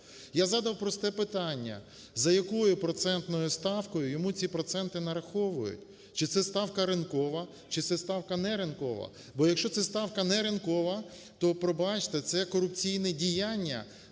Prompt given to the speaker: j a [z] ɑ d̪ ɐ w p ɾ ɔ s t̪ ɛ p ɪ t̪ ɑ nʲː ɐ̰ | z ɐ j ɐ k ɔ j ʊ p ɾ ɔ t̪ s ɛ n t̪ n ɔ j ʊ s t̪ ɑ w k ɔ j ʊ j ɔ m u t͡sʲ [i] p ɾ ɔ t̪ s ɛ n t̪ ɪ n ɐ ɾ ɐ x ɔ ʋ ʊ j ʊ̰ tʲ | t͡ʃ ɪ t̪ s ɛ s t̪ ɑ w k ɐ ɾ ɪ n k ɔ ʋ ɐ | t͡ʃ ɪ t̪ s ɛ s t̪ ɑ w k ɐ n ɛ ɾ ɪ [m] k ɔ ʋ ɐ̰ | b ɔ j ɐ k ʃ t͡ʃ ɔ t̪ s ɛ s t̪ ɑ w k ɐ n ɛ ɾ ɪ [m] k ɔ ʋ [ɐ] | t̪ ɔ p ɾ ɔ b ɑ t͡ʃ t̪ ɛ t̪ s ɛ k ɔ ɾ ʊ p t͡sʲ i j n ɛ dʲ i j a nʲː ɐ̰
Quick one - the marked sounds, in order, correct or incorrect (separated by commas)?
correct, correct, incorrect, incorrect, correct